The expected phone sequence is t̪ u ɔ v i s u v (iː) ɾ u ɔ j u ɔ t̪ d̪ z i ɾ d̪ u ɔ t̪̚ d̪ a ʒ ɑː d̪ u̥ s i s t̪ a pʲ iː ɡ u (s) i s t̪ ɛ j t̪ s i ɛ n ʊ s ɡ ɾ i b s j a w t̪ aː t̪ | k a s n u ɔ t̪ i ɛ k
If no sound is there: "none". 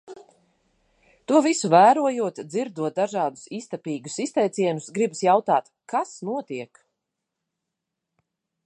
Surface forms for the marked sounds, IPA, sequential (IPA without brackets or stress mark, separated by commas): æː, s